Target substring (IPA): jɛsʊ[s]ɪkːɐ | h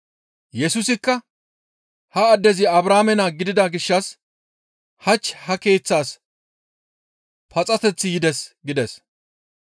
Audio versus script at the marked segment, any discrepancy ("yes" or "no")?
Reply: no